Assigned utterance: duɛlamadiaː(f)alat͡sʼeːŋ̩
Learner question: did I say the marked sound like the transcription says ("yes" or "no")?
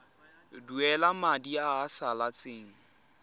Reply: no